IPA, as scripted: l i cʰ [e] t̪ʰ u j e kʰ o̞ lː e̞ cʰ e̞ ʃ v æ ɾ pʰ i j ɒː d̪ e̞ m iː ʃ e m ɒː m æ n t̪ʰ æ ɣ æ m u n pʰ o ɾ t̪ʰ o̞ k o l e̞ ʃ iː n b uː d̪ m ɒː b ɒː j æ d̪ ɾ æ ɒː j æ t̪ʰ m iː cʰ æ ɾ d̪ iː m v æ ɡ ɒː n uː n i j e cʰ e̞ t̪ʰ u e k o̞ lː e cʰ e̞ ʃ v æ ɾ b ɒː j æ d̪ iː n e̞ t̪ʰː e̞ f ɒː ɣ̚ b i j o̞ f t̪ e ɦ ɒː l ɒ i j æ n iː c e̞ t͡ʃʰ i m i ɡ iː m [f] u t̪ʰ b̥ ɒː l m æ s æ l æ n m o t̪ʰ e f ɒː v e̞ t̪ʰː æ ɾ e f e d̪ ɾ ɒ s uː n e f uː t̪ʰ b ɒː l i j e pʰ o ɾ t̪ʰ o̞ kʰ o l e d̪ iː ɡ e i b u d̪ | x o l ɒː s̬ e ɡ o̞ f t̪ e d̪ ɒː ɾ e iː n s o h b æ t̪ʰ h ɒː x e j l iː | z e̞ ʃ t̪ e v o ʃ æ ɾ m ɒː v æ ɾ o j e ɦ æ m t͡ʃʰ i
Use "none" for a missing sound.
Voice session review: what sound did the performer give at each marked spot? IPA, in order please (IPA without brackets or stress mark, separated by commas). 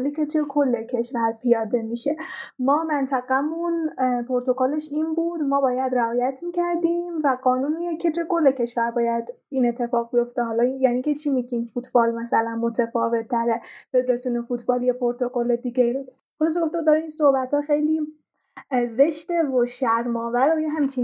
e, f